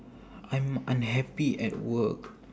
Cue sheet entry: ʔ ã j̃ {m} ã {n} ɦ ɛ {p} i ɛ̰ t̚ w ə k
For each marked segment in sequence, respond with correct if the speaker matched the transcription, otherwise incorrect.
correct, correct, correct

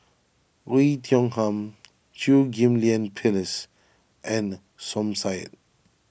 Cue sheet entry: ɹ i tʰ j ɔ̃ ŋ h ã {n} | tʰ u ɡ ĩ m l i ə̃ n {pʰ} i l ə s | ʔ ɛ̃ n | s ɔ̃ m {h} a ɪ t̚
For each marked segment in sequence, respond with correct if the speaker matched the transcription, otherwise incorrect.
incorrect, correct, incorrect

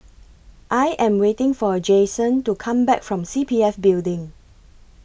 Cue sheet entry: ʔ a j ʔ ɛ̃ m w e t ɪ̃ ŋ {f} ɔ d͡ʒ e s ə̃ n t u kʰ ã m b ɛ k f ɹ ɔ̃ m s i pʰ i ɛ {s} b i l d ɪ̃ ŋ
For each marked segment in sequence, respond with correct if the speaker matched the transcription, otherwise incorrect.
correct, incorrect

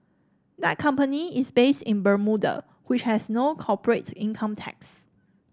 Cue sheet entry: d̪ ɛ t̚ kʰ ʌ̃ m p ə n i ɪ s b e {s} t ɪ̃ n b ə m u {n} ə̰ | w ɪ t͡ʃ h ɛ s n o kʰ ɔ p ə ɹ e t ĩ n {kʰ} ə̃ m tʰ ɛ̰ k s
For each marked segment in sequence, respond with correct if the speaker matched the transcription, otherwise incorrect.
correct, incorrect, correct

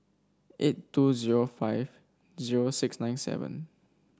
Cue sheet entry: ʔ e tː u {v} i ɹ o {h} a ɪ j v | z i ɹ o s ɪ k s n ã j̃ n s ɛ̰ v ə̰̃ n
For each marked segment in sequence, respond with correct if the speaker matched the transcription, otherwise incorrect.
incorrect, incorrect

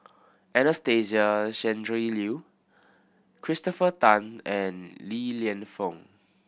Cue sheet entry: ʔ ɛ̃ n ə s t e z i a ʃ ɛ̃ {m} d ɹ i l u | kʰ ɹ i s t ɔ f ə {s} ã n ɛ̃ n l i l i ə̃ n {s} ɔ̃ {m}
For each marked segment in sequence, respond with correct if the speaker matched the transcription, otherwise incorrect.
incorrect, incorrect, incorrect, incorrect

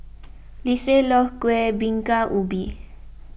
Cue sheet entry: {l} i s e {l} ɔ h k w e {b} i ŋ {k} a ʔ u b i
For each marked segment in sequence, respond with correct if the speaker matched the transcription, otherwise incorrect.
correct, correct, correct, correct

